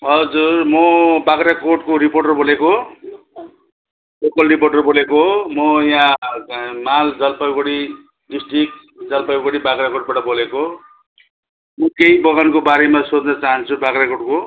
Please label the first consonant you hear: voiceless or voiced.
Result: voiced